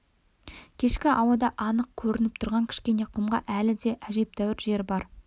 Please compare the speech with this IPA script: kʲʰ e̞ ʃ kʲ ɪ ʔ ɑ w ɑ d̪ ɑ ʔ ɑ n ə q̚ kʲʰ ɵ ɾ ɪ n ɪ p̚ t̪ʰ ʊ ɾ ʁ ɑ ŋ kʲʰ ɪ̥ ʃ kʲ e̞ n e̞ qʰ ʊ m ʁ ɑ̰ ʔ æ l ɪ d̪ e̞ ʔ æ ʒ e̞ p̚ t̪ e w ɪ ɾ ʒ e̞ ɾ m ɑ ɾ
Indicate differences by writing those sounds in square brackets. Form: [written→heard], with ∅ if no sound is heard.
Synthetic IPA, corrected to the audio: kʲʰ e̞ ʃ kʲ ɪ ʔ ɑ w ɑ d̪ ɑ ʔ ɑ n ə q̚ kʲʰ ɵ ɾ ɪ n ɪ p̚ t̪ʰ ʊ ɾ ʁ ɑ ŋ kʲʰ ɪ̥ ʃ kʲ e̞ n e̞ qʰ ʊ m ʁ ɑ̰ ʔ æ l ɪ d̪ e̞ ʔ æ ʒ e̞ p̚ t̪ [e→æ] w ɪ ɾ ʒ e̞ ɾ [m→b] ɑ ɾ